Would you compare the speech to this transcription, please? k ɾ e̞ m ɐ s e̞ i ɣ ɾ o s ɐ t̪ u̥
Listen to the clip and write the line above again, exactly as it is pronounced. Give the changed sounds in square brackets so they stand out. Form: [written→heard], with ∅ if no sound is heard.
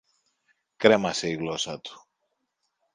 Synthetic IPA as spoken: k ɾ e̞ m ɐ s e̞ i ɣ [ɾ→l] o s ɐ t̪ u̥